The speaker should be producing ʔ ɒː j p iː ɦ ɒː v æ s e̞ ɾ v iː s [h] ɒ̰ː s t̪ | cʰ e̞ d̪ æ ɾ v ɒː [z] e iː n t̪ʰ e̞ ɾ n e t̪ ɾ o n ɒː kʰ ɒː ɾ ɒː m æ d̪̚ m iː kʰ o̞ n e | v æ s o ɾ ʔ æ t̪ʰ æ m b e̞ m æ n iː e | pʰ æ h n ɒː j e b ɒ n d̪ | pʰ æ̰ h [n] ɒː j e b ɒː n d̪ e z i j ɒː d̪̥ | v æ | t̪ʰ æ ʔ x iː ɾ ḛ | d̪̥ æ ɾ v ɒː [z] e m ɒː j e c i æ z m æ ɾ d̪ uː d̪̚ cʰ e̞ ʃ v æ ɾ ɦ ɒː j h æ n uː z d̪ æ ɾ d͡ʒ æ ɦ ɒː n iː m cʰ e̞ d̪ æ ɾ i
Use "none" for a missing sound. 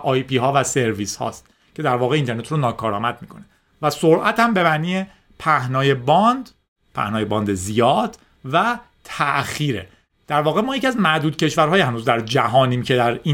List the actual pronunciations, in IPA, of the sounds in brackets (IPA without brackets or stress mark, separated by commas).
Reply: h, ɣ, n, ɣ